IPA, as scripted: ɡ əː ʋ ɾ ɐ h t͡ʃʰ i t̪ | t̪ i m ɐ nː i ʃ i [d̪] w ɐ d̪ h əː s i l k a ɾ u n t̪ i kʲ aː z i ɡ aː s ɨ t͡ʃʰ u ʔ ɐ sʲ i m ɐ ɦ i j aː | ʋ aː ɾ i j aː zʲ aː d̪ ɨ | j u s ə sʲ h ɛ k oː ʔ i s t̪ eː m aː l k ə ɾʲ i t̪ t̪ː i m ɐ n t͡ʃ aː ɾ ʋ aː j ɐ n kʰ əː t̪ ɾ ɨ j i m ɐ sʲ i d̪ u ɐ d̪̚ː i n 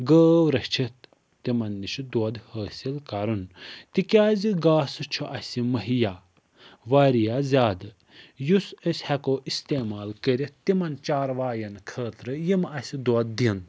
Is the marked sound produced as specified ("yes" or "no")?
yes